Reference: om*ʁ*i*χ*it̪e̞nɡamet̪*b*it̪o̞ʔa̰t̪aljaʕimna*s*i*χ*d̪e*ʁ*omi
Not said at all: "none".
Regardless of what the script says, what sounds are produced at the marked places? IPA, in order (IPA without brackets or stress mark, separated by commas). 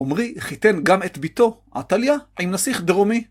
ʁ, χ, b, s, χ, ʁ